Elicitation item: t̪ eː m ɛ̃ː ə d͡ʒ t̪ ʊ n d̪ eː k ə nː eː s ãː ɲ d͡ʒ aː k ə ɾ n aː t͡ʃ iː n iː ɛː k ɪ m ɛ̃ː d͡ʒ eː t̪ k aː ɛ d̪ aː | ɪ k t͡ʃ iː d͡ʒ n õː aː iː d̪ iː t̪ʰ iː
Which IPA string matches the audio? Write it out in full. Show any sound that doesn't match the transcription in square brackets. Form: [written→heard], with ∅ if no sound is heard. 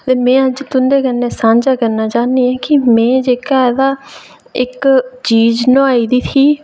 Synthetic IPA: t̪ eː m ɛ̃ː ə d͡ʒ t̪ ʊ n d̪ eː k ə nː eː s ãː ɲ d͡ʒ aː k ə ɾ n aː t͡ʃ [iː→aː] n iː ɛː k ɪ m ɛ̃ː d͡ʒ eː [t̪→∅] k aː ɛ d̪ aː | ɪ k t͡ʃ iː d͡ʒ n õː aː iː d̪ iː t̪ʰ iː